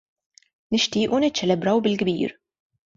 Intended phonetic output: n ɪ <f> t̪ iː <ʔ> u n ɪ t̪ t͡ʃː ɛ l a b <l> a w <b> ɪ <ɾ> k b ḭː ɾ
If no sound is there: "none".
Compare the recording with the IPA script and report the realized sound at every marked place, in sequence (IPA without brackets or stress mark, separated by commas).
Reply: ʃ, ʔ, ɾ, b, l